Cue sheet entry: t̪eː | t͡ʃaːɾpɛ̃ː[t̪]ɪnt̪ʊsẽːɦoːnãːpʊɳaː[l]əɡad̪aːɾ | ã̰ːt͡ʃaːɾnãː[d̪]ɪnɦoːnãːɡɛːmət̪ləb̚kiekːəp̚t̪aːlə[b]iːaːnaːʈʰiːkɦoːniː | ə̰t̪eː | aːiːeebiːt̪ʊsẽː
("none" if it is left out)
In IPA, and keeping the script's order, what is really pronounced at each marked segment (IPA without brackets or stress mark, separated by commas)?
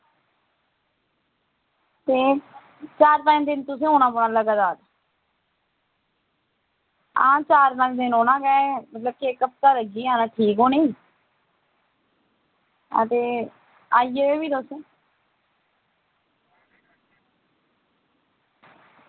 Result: d̪, l, d̪, ɡ